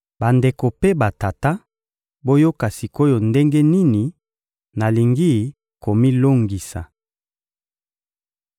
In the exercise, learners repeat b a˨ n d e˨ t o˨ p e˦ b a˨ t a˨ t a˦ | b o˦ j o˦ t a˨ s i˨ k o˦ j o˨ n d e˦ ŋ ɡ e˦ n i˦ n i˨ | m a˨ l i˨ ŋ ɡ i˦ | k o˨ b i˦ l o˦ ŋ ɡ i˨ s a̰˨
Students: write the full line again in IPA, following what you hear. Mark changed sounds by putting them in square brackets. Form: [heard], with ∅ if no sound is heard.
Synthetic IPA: b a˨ n d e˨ [k] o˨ p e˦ b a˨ t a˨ t a˦ | b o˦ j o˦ [k] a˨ s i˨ k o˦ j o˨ n d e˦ ŋ ɡ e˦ n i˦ n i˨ | [n] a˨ l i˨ ŋ ɡ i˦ | k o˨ [m] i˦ l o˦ ŋ ɡ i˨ s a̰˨